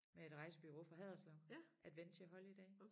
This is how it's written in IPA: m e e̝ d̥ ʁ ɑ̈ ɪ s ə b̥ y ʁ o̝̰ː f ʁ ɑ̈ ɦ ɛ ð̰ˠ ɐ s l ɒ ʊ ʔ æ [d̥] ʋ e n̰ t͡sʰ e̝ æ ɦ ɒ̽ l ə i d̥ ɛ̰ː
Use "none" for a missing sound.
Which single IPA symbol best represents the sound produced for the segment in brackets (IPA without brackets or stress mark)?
d̥